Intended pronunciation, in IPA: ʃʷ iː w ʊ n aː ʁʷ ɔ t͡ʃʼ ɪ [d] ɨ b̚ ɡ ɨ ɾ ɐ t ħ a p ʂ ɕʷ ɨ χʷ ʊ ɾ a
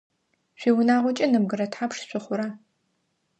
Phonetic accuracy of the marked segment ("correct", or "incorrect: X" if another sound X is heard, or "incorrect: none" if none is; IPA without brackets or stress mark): incorrect: n